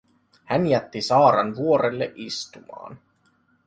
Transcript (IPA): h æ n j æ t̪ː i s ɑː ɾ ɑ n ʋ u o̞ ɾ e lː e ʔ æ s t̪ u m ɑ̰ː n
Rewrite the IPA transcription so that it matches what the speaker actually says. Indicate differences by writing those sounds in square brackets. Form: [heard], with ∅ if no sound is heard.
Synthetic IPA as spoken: h æ n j æ t̪ː i s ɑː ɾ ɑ n ʋ u o̞ ɾ e lː e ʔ [i] s t̪ u m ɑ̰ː n

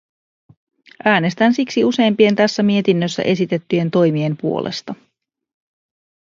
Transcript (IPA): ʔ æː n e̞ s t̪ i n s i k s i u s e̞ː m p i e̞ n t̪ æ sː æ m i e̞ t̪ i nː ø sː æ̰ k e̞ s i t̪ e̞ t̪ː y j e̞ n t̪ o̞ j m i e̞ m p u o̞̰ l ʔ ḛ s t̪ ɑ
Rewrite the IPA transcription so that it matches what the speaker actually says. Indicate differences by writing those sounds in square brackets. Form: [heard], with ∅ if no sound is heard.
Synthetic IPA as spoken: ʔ æː n e̞ s t̪ [æ] n s i k s i u s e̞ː m p i e̞ n t̪ æ sː æ m i e̞ t̪ i nː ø sː æ̰ [ʔ] e̞ s i t̪ e̞ t̪ː y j e̞ n t̪ o̞ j m i e̞ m p u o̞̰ l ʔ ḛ s t̪ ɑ

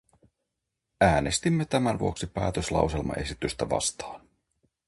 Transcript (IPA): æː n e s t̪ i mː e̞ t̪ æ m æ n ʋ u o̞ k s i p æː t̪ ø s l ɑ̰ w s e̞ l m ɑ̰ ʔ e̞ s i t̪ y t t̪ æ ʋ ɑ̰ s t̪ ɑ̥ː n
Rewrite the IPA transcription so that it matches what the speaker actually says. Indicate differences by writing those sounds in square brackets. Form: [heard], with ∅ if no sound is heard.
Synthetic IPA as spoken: æː n e s t̪ i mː e̞ t̪ æ m æ n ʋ u o̞ k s i p æː t̪ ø s l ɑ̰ w s e̞ l m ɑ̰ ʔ e̞ s i t̪ y [s] t̪ æ ʋ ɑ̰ s t̪ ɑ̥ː n

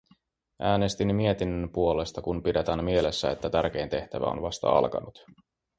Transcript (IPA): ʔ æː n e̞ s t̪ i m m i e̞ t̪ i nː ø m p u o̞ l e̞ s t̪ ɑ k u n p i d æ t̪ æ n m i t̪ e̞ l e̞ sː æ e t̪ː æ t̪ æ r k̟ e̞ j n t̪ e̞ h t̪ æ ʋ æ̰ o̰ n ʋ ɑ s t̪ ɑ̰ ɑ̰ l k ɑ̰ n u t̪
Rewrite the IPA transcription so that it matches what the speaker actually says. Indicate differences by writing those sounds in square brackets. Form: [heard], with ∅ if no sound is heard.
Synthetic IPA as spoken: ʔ æː n e̞ s t̪ i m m i e̞ t̪ i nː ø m p u o̞ l e̞ s t̪ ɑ k u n p i d [e] t̪ æ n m i [∅] e̞ l e̞ sː æ e t̪ː æ t̪ æ r k̟ e̞ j n t̪ e̞ h t̪ æ ʋ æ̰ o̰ n ʋ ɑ s t̪ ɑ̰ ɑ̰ l k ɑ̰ n u t̪

